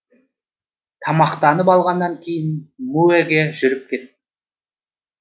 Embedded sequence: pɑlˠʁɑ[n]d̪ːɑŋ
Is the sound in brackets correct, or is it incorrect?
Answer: correct